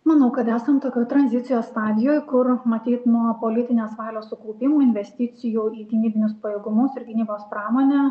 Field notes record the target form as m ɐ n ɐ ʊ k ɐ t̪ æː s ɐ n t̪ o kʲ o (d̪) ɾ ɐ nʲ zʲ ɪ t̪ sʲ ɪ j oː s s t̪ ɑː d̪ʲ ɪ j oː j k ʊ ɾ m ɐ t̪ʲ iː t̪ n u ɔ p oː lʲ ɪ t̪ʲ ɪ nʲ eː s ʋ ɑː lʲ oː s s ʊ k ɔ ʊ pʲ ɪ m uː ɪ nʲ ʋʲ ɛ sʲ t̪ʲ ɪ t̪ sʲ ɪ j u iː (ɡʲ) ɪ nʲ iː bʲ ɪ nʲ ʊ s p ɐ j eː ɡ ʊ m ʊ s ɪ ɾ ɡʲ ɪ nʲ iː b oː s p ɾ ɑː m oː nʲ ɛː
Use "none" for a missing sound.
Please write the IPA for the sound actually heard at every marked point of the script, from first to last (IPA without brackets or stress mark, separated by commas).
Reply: t̪, ɡʲ